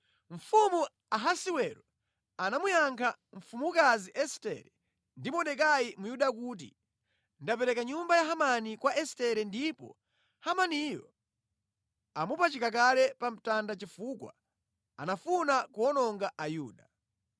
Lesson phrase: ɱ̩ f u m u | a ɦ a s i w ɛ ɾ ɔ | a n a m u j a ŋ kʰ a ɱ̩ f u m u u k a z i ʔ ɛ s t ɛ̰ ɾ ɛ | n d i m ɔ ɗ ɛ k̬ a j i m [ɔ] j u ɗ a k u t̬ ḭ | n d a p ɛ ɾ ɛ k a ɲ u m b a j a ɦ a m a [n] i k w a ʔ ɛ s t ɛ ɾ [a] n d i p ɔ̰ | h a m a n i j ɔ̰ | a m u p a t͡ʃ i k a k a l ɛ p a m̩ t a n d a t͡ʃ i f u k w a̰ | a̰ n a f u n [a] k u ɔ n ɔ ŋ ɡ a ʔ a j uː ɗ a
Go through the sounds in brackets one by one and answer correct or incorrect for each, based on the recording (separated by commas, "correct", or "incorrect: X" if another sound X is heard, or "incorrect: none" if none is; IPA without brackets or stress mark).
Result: incorrect: u, correct, incorrect: ɛ, correct